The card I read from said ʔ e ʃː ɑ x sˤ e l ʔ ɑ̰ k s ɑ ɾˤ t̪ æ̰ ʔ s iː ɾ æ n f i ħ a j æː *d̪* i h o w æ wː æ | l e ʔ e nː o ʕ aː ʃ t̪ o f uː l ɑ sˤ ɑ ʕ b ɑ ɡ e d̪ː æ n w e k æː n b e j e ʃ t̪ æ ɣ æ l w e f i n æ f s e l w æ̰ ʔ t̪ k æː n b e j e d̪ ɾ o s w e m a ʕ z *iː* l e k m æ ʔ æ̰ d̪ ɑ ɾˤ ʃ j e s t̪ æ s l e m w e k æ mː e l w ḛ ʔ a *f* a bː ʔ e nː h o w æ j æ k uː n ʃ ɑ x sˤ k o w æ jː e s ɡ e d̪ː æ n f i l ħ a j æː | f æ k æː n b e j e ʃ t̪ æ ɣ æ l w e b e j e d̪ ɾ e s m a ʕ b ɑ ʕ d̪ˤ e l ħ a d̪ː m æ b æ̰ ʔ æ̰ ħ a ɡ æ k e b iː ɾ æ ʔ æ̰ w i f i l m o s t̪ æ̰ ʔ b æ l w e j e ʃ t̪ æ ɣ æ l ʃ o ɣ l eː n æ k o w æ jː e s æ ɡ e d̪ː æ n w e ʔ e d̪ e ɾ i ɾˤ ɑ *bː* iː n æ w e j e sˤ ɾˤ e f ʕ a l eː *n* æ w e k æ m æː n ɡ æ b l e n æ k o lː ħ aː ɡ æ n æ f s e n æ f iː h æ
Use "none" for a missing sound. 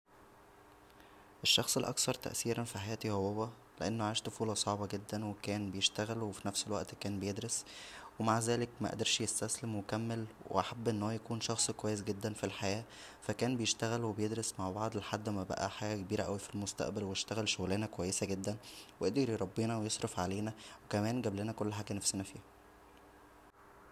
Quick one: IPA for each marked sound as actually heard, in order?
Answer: t̪, æː, ħ, bː, n

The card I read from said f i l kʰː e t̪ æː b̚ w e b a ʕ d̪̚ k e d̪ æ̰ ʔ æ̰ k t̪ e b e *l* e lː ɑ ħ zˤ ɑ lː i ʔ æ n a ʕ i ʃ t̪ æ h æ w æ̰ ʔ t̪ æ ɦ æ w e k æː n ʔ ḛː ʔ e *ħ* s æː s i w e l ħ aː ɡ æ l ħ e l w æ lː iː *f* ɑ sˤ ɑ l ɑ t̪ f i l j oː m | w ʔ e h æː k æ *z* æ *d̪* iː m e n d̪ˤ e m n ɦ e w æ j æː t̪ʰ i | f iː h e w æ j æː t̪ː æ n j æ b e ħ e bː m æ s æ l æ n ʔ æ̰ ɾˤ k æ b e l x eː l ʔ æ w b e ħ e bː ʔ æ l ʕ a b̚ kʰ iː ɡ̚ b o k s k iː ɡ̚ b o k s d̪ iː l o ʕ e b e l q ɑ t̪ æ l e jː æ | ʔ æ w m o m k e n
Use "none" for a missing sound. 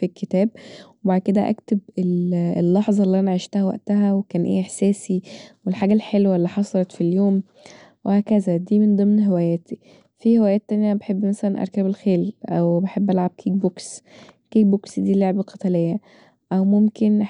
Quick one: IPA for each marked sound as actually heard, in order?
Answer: l, ħ, ħ, z, d̪

